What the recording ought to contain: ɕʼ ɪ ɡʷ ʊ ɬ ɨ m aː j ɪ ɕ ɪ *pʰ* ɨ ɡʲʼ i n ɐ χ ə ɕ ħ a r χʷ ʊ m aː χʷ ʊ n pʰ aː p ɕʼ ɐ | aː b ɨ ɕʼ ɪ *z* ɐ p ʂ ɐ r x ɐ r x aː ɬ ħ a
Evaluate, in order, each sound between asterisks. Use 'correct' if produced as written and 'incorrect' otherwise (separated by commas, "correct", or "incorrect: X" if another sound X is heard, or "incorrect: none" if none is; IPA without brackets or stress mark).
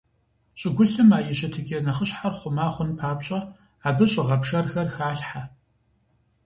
incorrect: tʰ, incorrect: ʁ